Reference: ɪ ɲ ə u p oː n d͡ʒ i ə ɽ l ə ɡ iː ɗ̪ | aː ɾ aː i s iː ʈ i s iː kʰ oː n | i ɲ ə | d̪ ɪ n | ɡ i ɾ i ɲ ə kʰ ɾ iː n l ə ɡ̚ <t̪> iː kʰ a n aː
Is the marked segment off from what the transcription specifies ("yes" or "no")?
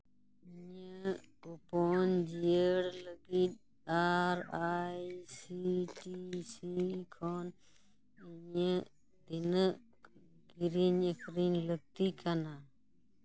no